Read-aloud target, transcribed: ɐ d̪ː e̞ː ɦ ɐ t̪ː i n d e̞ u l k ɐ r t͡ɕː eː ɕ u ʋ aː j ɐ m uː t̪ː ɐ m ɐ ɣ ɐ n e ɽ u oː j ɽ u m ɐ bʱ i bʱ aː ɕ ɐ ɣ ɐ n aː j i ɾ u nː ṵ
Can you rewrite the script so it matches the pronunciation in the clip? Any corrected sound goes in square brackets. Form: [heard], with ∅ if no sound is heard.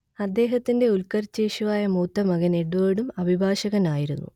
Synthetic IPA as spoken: ɐ d̪ː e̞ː ɦ ɐ t̪ː i n d e̞ u l k ɐ r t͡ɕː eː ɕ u ʋ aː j ɐ m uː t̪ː ɐ m ɐ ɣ ɐ n e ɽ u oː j ɽ u m ɐ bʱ i bʱ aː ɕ ɐ ɣ ɐ n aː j i ɾ u nː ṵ